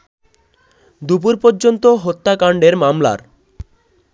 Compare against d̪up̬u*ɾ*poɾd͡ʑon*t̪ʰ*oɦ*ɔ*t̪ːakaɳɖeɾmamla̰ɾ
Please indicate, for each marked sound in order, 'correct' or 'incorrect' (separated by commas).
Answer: correct, incorrect, incorrect